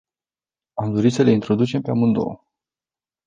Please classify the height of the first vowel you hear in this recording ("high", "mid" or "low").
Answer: low